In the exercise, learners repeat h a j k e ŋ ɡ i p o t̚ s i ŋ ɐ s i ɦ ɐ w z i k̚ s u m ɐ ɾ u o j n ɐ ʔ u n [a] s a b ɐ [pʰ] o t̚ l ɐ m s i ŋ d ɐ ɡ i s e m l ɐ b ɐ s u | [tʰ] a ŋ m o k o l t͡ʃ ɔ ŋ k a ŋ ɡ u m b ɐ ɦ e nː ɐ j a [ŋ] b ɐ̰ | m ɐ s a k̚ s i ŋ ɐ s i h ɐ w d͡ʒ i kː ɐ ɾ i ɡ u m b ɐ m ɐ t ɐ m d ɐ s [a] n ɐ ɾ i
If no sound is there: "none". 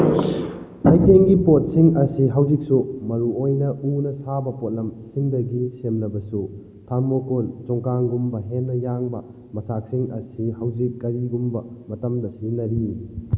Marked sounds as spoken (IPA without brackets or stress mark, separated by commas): ɐ, p, tʰ, ŋ, i